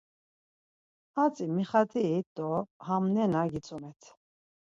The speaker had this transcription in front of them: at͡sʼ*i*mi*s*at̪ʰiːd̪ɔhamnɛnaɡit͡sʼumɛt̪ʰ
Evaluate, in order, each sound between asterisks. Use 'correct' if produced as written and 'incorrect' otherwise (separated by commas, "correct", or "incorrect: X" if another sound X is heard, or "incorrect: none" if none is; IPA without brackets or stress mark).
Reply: correct, incorrect: χ